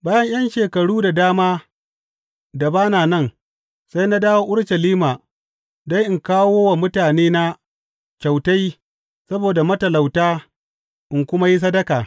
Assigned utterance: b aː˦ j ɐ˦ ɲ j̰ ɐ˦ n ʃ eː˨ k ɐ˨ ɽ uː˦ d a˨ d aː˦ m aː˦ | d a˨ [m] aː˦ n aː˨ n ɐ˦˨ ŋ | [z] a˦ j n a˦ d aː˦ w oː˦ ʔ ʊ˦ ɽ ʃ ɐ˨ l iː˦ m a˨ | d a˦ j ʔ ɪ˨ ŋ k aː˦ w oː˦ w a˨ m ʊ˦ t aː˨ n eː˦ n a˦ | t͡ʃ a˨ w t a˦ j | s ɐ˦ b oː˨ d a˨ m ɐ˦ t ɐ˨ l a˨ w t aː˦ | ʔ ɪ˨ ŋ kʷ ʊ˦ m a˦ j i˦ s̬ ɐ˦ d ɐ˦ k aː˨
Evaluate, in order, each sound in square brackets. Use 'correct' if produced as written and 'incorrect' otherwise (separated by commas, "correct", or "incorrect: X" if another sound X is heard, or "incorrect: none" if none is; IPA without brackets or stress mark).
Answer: incorrect: b, incorrect: s